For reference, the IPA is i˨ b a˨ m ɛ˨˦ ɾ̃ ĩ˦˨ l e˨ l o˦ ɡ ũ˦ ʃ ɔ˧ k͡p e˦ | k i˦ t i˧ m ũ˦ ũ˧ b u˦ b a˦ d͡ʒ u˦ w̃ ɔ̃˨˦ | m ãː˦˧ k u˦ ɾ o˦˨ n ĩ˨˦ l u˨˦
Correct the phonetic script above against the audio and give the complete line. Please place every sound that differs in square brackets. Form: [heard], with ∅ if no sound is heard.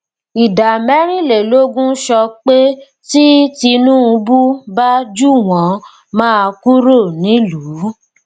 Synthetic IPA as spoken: i˨ [d] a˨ m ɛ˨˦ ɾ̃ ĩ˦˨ l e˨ l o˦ ɡ ũ˦ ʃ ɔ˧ k͡p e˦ | [t] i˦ t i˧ [n] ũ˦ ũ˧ b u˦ b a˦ d͡ʒ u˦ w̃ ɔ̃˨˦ | m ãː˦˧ k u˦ ɾ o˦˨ n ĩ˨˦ l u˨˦